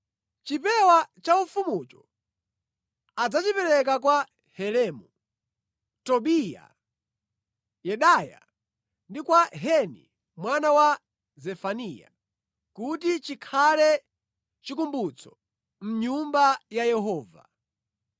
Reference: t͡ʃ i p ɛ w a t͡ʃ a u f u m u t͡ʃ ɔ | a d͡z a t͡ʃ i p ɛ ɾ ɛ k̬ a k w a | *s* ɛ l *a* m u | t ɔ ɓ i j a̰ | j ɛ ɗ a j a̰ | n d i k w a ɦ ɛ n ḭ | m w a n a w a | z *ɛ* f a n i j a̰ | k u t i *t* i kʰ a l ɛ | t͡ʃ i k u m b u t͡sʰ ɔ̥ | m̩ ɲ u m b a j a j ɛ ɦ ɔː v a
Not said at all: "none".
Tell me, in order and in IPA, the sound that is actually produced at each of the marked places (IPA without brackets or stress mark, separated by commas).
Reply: h, ɛ, ɛ, t͡ʃ